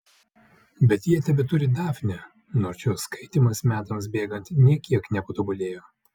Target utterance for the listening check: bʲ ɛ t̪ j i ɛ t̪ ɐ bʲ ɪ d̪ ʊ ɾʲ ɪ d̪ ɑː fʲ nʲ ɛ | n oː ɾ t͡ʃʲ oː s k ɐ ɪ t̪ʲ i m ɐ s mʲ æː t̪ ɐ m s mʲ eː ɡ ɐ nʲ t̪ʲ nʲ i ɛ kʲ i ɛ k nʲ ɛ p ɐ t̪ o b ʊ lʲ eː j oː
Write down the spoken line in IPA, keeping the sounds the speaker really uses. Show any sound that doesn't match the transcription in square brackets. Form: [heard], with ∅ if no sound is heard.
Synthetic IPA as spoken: bʲ ɛ t̪ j i ɛ t̪ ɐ bʲ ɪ [t̪] ʊ ɾʲ ɪ d̪ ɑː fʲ nʲ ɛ | n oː ɾ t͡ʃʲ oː s k ɐ ɪ t̪ʲ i m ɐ s mʲ æː t̪ ɐ m s [bʲ] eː ɡ ɐ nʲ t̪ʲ nʲ i ɛ kʲ i ɛ k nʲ ɛ p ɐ t̪ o b ʊ lʲ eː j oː